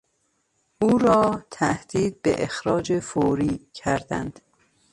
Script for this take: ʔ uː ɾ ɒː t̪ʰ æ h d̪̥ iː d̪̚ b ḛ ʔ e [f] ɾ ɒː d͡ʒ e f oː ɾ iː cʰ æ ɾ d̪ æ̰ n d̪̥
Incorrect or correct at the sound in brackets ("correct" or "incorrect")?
incorrect